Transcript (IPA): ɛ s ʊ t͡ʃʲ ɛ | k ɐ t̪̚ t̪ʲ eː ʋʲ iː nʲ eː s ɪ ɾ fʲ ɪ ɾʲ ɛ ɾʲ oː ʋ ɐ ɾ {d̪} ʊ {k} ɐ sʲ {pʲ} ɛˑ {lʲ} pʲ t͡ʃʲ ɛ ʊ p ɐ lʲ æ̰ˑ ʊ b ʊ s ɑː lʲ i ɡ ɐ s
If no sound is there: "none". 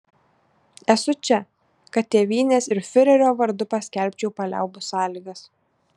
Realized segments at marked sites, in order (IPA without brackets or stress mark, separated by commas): d̪, p, kʲ, lʲ